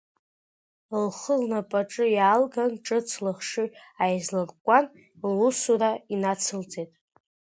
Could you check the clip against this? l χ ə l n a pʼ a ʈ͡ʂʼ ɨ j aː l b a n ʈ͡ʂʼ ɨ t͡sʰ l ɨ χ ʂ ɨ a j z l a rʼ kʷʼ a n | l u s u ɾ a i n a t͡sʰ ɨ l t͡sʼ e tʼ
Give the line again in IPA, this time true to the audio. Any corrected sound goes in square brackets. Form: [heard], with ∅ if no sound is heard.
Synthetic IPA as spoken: l χ ə l n a pʼ a ʈ͡ʂʼ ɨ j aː l [ɡ] a n ʈ͡ʂʼ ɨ t͡sʰ l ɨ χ ʂ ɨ a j z l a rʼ kʷʼ a n | l u s u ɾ a i n a t͡sʰ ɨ l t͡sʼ e tʼ

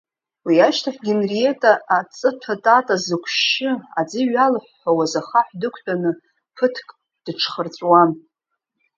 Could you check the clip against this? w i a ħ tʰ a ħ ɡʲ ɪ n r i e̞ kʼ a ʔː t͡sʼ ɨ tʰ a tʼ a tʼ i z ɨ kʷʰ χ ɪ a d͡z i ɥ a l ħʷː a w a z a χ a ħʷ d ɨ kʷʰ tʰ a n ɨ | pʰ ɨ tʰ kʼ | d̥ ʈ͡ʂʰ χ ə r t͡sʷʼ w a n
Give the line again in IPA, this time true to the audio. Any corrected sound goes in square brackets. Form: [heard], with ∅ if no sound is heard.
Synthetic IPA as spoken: w i a [ʃ] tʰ a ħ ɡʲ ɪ n r i e̞ [tʼ] a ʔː t͡sʼ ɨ tʰ a tʼ a tʼ [a] z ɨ kʷʰ [ʃ] ɪ a d͡z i ɥ a l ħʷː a w a z a χ a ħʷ d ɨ kʷʰ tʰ a n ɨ | pʰ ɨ tʰ kʼ | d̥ ʈ͡ʂʰ χ ə r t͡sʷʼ w a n

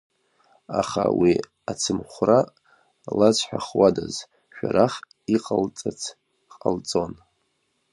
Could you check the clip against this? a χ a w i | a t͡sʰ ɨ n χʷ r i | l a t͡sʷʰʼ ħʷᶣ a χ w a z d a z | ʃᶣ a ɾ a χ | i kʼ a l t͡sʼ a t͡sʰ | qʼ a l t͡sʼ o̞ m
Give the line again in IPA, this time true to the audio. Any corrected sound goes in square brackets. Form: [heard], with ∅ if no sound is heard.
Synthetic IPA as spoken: a χ a w i | a t͡sʰ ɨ [m] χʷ r [a] | l a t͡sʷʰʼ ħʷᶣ a χ w a [∅] d a z | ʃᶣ a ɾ a χ | i [qʼ] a l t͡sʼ a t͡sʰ | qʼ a l t͡sʼ o̞ [n]

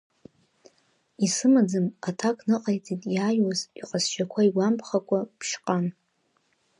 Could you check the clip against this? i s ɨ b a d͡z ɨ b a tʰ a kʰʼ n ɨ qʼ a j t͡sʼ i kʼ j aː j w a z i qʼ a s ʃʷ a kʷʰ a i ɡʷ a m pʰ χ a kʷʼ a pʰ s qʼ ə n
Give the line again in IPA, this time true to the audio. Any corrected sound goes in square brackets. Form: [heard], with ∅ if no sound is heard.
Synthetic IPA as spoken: i s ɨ [m] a d͡z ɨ [m] a tʰ a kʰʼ n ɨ qʼ a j t͡sʼ i [tʼ] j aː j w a z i qʼ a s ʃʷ a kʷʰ a i ɡʷ a m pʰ χ a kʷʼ a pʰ [ʃ] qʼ [a] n

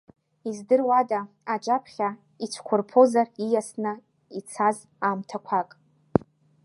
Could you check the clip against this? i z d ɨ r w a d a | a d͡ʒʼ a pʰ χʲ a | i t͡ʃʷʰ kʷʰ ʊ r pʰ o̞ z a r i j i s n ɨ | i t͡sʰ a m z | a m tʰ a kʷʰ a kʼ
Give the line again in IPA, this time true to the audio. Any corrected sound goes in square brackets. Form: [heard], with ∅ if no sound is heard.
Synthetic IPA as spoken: i z d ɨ r w a d a | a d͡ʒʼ a pʰ χʲ a | i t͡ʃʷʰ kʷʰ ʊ r pʰ o̞ z a r i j [a] s n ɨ | i t͡sʰ a [∅] z | a m tʰ a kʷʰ a kʼ

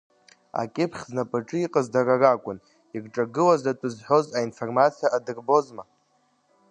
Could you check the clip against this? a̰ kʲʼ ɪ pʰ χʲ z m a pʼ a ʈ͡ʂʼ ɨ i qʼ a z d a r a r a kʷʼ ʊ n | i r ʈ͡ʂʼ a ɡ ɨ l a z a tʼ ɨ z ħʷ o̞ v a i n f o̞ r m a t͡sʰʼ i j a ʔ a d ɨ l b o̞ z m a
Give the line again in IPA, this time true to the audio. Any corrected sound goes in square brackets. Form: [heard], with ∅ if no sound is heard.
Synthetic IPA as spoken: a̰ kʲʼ ɪ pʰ χʲ z [n] a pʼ a ʈ͡ʂʼ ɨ i qʼ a z d a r a r a kʷʼ ʊ n | i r ʈ͡ʂʼ a ɡ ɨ l a z a tʼ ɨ z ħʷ o̞ [z] a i n f o̞ r m a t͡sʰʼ i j a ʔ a d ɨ [r] b o̞ z m a

